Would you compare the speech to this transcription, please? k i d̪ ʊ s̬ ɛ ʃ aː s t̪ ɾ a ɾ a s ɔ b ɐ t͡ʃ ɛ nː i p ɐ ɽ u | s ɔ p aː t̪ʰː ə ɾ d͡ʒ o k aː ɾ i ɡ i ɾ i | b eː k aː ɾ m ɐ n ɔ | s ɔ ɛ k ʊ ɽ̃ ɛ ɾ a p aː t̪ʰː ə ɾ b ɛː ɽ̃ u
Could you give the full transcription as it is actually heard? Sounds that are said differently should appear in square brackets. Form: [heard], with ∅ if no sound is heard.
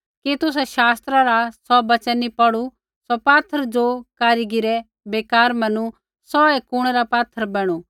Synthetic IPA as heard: k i [t̪] ʊ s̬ ɛ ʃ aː s t̪ ɾ a ɾ a s ɔ b ɐ t͡ʃ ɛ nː i p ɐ ɽ u | s ɔ p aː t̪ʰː ə ɾ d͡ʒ o k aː ɾ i ɡ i ɾ [ɛ] | b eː k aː ɾ m ɐ n [u] | s ɔ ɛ k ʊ ɽ̃ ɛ ɾ a p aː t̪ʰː ə ɾ b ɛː ɽ̃ u